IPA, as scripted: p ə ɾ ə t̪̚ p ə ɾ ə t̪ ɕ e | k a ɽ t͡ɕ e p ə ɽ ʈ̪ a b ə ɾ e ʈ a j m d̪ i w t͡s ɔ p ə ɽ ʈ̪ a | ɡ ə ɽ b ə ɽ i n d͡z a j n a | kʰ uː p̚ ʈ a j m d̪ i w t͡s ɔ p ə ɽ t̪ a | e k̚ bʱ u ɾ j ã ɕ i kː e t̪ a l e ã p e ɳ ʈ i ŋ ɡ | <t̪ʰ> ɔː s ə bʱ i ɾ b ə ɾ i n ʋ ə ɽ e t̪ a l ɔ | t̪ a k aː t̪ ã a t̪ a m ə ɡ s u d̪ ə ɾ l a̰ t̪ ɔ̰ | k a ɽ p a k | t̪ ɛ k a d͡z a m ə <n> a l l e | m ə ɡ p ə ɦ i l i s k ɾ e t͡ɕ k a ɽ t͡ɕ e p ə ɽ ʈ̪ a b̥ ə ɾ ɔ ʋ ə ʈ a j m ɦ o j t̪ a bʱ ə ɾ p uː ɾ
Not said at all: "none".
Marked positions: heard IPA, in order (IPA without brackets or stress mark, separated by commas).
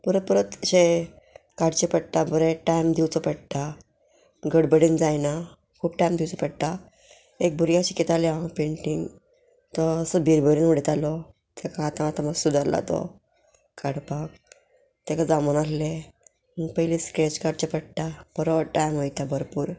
t̪, n